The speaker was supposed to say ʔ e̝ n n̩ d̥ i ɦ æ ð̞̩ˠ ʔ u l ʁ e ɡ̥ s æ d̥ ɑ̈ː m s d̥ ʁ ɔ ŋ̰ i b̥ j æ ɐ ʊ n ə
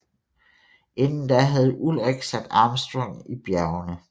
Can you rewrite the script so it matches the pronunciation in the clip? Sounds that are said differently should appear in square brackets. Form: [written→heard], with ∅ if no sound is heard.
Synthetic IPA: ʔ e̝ n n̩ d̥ [i→æ] ɦ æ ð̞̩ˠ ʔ u l ʁ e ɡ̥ s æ d̥ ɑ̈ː m s d̥ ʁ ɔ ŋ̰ i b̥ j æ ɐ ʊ n ə